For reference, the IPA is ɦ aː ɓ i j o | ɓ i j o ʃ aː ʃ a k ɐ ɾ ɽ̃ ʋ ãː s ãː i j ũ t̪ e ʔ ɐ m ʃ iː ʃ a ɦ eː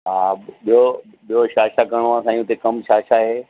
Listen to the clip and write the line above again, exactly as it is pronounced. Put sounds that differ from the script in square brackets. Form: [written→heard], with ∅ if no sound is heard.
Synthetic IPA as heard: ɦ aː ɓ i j o | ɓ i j o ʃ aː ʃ a k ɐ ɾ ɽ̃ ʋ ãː s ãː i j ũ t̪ e [ʔ→k] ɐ m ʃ [iː→aː] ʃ a ɦ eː